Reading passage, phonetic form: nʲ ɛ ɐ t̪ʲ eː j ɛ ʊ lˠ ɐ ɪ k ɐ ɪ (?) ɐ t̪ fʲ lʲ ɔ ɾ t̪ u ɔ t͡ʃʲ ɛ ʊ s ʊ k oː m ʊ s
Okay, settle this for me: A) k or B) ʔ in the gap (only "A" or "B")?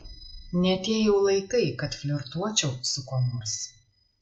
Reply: A